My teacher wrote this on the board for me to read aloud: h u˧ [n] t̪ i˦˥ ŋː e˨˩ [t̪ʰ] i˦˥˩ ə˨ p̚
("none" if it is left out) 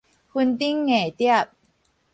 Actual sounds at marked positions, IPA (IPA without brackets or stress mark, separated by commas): n, t̪